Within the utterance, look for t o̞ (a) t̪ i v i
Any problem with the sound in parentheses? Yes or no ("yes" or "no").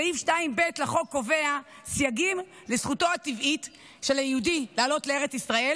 no